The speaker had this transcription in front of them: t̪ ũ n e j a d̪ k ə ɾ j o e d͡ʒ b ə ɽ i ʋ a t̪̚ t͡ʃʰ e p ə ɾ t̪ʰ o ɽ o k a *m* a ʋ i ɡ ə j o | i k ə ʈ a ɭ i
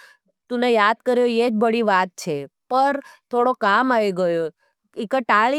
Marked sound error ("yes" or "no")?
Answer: no